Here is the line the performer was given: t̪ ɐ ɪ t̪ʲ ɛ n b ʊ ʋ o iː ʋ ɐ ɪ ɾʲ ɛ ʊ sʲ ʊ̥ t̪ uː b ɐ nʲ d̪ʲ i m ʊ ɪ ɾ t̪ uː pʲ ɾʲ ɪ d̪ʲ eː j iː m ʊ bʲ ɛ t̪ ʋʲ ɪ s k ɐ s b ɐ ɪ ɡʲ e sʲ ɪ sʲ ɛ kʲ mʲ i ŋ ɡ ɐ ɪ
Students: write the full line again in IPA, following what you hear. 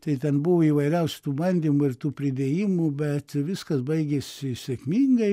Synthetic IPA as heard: t̪ ɐ ɪ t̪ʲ ɛ n b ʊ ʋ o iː ʋ ɐ ɪ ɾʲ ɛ ʊ sʲ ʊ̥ t̪ uː b ɐ nʲ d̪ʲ i m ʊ ɪ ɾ t̪ uː pʲ ɾʲ ɪ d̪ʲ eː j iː m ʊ bʲ ɛ t̪ ʋʲ ɪ s k ɐ s b ɐ ɪ ɡʲ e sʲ ɪ sʲ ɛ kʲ mʲ i ŋ ɡ ɐ ɪ

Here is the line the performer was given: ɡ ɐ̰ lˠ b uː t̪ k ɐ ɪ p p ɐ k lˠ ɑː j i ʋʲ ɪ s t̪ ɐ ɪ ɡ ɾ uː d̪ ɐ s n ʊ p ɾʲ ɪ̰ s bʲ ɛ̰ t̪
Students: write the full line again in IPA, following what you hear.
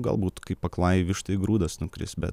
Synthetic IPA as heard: ɡ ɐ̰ lˠ b uː t̪ k ɐ ɪ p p ɐ k lˠ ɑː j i ʋʲ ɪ ʃ t̪ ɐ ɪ ɡ ɾ uː d̪ ɐ s n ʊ k ɾʲ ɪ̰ s bʲ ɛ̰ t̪

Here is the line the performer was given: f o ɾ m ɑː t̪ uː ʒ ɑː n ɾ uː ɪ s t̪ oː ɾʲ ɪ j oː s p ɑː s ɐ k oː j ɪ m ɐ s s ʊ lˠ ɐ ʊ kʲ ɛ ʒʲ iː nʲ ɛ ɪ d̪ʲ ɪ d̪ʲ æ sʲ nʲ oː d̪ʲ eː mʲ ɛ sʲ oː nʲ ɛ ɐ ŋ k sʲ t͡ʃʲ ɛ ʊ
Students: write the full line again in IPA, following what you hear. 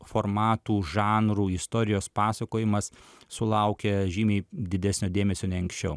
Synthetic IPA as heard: f o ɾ m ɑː t̪ uː ʒ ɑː n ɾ uː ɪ s t̪ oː ɾʲ ɪ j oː s p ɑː s ɐ k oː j ɪ m ɐ s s ʊ lˠ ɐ ʊ kʲ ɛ ʒʲ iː mʲ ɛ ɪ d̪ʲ ɪ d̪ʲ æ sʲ nʲ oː d̪ʲ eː mʲ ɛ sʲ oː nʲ ɛ ɐ ŋ k sʲ t͡ʃʲ ɛ ʊ

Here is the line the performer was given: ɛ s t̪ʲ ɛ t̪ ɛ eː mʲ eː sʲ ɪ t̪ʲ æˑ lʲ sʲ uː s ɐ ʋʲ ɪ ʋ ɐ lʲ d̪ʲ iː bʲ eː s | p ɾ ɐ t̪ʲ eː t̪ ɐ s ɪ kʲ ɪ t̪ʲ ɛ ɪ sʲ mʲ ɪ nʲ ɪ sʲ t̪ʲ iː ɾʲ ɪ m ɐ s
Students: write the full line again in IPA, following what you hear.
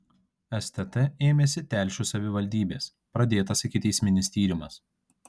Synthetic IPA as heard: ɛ s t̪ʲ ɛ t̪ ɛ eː mʲ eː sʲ ɪ t̪ʲ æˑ lʲ ʃʲ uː s ɐ ʋʲ ɪ ʋ ɐ lʲ d̪ʲ iː bʲ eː s | p ɾ ɐ d̪ʲ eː t̪ ɐ s ɪ kʲ ɪ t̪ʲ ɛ ɪ sʲ mʲ ɪ nʲ ɪ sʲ t̪ʲ iː ɾʲ ɪ m ɐ s

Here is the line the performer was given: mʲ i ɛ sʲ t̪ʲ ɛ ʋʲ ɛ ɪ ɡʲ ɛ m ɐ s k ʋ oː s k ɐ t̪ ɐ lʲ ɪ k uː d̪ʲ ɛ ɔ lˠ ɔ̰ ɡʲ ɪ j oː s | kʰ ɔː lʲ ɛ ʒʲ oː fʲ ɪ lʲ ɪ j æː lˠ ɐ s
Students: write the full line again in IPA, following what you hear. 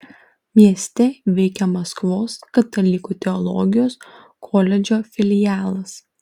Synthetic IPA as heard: mʲ i ɛ sʲ t̪ʲ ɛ ʋʲ ɛ ɪ kʲ ɛ m ɐ s k ʋ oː s k ɐ t̪ ɐ lʲ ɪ k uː t̪ʲ ɛ ɔ lˠ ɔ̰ ɡʲ ɪ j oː s | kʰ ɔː lʲ ɛ d͡ʒʲ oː fʲ ɪ lʲ ɪ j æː lˠ ɐ s

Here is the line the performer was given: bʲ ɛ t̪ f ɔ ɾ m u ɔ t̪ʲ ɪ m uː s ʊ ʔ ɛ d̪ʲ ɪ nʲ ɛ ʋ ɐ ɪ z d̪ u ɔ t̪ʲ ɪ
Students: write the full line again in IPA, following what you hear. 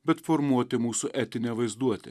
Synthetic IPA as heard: bʲ ɛ t̪ f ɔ ɾ m u ɔ t̪ʲ ɪ m uː s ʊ ʔ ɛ t̪ʲ ɪ nʲ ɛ ʋ ɐ ɪ z d̪ u ɔ t̪ʲ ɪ

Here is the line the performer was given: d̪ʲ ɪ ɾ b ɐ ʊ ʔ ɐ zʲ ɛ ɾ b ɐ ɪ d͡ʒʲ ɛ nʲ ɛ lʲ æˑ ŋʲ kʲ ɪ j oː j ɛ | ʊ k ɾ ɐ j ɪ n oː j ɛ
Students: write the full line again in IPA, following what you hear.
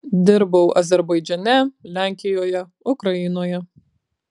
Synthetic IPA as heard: d̪ʲ ɪ ɾ b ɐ ʊ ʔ ɐ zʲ ɛ ɾ b ɐ ɪ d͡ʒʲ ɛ nʲ ɛ lʲ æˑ ŋʲ kʲ ɪ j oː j ɛ | ʊ k ɾ ɐ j ɪ n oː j ɛ

